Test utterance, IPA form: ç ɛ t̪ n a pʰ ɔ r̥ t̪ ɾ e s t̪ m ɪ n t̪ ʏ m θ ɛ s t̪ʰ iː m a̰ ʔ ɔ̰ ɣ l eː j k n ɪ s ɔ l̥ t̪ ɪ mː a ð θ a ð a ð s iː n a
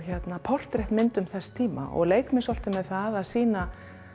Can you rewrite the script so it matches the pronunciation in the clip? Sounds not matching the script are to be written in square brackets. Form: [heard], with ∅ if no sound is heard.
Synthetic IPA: ç ɛ t̪ n a pʰ ɔ r̥ t̪ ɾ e [h] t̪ m ɪ n t̪ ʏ m θ ɛ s t̪ʰ iː m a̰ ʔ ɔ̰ ɣ l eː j k [m] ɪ s ɔ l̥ t̪ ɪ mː [ɛ] ð θ a ð a ð s iː n a